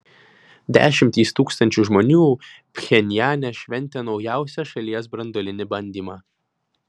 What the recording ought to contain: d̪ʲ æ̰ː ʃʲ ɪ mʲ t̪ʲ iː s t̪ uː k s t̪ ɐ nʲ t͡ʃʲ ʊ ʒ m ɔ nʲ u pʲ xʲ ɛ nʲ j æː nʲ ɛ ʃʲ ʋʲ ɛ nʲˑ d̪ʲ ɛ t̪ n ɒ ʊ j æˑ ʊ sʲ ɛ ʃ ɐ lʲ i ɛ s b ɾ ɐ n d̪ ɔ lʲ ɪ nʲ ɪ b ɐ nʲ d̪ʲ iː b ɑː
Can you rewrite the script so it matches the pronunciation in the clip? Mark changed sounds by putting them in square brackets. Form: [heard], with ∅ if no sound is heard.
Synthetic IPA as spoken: d̪ʲ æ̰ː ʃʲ ɪ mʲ t̪ʲ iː s t̪ uː k s t̪ ɐ nʲ t͡ʃʲ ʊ ʒ m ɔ nʲ [uː] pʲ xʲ ɛ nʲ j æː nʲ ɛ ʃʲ ʋʲ ɛ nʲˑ [t̪ʲ] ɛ [∅] n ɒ ʊ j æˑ ʊ sʲ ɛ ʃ ɐ lʲ i ɛ s b ɾ ɐ n d̪ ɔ lʲ ɪ nʲ ɪ b ɐ nʲ d̪ʲ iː [m] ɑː